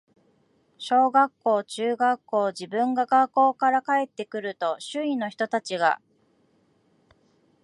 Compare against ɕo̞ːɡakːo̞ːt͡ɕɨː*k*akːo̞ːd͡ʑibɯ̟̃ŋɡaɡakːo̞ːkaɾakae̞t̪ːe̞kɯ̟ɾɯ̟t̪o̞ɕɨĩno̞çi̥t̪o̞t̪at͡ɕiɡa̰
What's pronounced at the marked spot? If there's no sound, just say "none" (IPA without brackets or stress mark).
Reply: ɡ